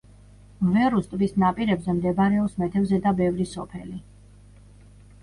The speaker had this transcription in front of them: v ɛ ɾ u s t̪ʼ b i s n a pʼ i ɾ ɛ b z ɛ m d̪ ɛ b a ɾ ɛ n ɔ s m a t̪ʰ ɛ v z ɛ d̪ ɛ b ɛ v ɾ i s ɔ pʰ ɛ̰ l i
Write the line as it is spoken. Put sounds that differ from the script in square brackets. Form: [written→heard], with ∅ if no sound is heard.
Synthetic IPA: v ɛ ɾ u s t̪ʼ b i s n a pʼ i ɾ ɛ b z ɛ m d̪ ɛ b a ɾ ɛ [n→∅] ɔ s m [a→ɛ] t̪ʰ ɛ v z ɛ d̪ [ɛ→a] b ɛ v ɾ i s ɔ pʰ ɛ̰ l i

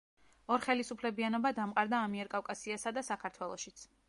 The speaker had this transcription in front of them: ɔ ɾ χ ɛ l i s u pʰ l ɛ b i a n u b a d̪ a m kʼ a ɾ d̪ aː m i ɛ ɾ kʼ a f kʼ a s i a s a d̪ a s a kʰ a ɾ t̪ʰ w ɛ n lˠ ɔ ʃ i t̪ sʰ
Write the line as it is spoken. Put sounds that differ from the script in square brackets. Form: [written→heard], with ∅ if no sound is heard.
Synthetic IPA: ɔ ɾ χ ɛ l i s u pʰ l ɛ b i a n [u→ɔ] b a d̪ a m [kʼ→qʼ] a ɾ d̪ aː m i ɛ ɾ kʼ a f kʼ a s i a s a d̪ a s a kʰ a ɾ t̪ʰ w ɛ [n→∅] lˠ ɔ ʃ i t̪ sʰ

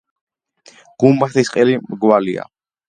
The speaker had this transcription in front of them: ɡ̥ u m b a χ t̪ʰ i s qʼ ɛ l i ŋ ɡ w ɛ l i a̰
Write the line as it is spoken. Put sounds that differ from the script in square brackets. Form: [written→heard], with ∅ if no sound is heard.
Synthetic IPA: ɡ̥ u m b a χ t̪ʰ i s qʼ ɛ l i [ŋ→m] ɡ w [ɛ→a] l i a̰

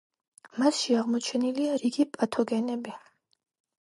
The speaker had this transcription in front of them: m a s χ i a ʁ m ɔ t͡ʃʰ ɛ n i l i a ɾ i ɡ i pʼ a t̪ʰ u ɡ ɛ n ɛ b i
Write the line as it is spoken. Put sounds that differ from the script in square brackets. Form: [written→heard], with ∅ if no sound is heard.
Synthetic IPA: m a s [χ→ʃ] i a ʁ m ɔ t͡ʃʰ ɛ n i l i a ɾ i ɡ i pʼ a t̪ʰ [u→ɔ] ɡ ɛ n ɛ b i

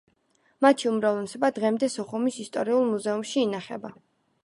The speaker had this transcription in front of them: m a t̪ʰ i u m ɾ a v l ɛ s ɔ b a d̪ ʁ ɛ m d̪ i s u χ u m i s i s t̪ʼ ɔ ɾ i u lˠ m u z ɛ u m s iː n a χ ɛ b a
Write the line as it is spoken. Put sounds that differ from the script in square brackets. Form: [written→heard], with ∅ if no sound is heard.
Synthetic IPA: m a t̪ʰ i u m ɾ a v l ɛ s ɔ b a d̪ ʁ ɛ m d̪ [i→ɛ] s [u→ɔ] χ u m i s i s t̪ʼ ɔ ɾ i u lˠ m u z ɛ u m [s→ʃ] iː n a χ ɛ b a

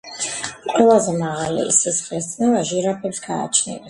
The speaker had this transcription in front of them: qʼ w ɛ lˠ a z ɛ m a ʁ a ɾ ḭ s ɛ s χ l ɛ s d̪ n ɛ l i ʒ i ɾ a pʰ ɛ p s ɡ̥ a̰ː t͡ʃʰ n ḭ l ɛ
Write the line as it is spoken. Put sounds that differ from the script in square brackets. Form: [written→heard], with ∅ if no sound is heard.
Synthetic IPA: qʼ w ɛ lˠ a z ɛ m a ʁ a [ɾ→l] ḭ s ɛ s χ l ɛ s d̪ n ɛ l [i→a] ʒ i ɾ a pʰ ɛ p s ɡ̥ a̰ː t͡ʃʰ n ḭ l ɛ

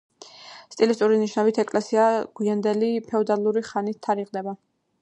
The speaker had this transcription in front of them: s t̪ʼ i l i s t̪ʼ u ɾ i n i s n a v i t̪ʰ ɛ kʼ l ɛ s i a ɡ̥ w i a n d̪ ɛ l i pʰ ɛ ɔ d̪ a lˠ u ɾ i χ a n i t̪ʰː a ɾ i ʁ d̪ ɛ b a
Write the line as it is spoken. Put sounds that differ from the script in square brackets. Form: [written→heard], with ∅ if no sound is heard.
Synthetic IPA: s t̪ʼ i l i s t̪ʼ u ɾ i n i [s→ʃ] n a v i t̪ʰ ɛ kʼ l ɛ s i a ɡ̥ w i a n d̪ ɛ l i pʰ ɛ ɔ d̪ a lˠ u ɾ i χ a n i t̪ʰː a ɾ i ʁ d̪ ɛ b a

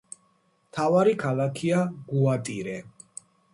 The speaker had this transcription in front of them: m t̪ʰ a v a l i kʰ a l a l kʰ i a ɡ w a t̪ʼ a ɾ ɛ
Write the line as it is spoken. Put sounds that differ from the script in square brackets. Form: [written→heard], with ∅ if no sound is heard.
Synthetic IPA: m t̪ʰ a v a [l→ɾ] i kʰ a l a [l→∅] kʰ i a ɡ [w→u] a t̪ʼ [a→i] ɾ ɛ

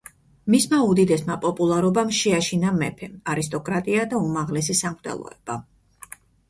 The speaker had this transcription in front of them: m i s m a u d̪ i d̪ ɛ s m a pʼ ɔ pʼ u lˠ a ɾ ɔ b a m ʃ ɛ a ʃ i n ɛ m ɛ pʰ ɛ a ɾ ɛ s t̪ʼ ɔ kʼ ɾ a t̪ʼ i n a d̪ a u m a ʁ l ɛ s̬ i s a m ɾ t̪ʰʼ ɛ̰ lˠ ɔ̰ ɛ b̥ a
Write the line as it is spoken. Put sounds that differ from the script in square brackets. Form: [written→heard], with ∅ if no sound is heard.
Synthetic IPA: m i s m a u d̪ i d̪ ɛ s m a pʼ ɔ pʼ u lˠ a ɾ ɔ b a m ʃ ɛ a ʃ i n [ɛ→a] m ɛ pʰ ɛ a ɾ [ɛ→i] s t̪ʼ ɔ kʼ ɾ a t̪ʼ i [n→∅] a d̪ a u m a ʁ l ɛ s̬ i s a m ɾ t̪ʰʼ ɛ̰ lˠ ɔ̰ ɛ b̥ a

